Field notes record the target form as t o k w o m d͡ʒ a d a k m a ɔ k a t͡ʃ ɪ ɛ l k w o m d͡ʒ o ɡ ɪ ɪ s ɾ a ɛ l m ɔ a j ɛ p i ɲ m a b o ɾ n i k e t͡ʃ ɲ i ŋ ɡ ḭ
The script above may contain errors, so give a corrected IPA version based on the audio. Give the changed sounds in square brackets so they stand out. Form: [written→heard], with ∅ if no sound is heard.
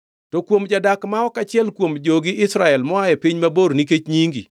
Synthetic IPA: t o k w o m d͡ʒ a d a k m a ɔ k a t͡ʃ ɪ ɛ l k w o m d͡ʒ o ɡ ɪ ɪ s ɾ a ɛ l m ɔ a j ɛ p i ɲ m a b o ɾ n i k e t͡ʃ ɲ i ŋ ɡ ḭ